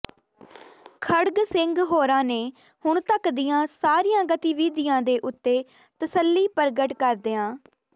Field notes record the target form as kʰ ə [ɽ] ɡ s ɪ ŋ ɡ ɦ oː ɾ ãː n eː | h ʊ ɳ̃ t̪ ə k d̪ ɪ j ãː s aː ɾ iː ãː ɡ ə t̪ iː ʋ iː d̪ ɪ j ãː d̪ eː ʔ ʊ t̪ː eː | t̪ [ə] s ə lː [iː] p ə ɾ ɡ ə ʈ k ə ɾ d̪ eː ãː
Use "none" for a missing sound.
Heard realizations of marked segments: ɽ, ə, iː

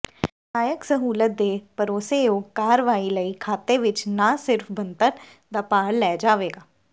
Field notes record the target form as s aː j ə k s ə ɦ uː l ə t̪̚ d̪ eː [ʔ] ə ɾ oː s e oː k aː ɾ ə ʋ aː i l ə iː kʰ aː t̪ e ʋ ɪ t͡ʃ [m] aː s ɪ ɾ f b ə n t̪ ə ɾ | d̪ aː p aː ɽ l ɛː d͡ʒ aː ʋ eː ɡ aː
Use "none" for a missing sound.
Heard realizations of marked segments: p, n

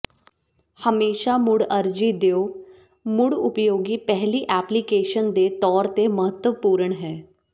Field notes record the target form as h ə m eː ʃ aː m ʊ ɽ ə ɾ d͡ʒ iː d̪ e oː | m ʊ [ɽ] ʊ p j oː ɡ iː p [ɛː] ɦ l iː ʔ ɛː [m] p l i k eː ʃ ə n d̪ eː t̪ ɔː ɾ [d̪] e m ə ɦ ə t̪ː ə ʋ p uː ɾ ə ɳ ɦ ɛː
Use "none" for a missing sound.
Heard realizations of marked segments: ɽ, ɛ, none, t̪

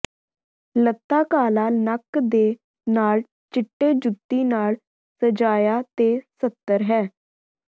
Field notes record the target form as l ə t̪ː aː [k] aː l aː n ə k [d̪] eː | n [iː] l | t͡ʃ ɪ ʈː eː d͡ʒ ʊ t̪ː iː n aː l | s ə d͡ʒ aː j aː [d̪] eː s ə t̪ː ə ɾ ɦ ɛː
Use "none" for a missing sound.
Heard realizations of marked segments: k, d̪, aː, t̪

